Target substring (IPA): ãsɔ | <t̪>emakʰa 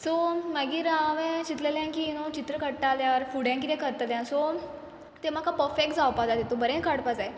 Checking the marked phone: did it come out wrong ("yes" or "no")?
no